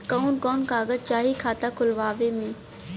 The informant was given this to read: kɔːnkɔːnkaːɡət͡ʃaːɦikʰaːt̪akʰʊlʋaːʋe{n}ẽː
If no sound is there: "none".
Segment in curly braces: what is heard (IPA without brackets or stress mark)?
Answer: m